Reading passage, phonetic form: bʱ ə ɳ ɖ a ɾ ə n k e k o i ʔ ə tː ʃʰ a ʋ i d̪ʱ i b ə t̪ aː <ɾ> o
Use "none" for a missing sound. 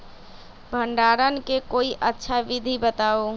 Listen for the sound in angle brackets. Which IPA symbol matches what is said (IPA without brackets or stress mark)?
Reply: none